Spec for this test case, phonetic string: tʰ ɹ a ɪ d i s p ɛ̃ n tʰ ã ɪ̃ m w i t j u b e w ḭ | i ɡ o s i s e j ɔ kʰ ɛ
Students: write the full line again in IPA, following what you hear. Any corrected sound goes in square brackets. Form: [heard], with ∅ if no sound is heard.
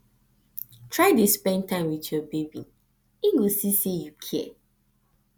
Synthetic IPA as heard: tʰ ɹ a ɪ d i s p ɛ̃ n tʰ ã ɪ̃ m w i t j [ɔ] b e [b] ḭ | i ɡ o s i s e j [u] kʰ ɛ